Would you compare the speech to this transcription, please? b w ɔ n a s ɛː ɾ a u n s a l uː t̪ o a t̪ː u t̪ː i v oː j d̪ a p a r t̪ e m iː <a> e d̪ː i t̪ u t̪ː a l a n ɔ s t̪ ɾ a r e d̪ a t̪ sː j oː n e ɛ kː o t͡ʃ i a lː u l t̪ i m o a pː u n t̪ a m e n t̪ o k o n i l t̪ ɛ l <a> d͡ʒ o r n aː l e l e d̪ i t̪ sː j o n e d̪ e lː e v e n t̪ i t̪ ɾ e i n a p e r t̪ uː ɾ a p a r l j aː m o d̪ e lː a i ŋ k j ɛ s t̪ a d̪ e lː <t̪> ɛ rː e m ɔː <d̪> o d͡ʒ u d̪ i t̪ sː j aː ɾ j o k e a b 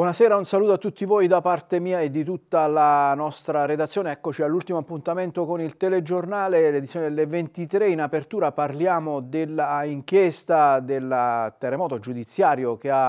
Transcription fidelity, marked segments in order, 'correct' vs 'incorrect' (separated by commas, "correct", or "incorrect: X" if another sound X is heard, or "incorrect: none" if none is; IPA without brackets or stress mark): correct, incorrect: e, correct, incorrect: t̪